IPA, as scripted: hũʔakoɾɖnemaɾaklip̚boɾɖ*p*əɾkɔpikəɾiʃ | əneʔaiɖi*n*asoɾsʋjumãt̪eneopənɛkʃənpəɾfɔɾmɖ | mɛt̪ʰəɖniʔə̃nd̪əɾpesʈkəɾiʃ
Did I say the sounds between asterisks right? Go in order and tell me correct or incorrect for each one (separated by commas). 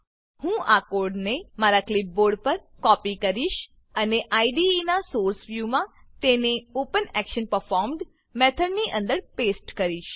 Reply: correct, correct